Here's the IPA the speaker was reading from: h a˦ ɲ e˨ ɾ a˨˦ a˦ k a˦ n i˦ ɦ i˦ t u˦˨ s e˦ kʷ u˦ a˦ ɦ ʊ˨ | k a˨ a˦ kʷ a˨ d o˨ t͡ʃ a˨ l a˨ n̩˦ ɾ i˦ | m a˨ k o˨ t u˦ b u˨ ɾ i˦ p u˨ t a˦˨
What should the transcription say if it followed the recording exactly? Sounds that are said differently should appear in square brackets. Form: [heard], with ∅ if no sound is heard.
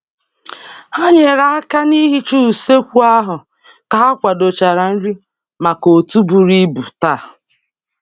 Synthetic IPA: h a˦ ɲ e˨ ɾ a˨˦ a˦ k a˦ n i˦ ɦ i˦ [t͡ʃ] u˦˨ s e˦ kʷ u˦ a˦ ɦ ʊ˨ | k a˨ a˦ kʷ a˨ d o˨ t͡ʃ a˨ [ɾ] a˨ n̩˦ ɾ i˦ | m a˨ k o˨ t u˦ b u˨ ɾ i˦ [b] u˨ t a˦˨